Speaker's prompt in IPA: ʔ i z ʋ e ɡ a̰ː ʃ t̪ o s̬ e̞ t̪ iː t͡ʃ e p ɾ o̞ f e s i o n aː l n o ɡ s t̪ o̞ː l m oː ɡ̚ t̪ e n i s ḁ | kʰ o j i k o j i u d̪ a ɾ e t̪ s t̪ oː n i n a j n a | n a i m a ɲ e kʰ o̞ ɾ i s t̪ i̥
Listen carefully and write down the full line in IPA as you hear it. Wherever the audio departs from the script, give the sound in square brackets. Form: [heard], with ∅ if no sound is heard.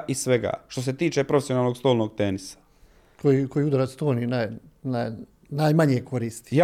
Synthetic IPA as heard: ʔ i [s] ʋ e ɡ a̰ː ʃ t̪ o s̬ e̞ t̪ iː t͡ʃ e p ɾ o̞ f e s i o n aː l n o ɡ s t̪ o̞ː l [n] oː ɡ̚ t̪ e n i s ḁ | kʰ o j i k o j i u d̪ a ɾ [a] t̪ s t̪ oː n i n a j n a | n a [j] m a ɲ e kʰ o̞ ɾ i s t̪ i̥